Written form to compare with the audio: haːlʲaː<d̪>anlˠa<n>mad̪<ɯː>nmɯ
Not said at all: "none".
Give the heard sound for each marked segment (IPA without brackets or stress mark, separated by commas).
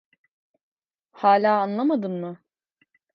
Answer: none, none, ɯ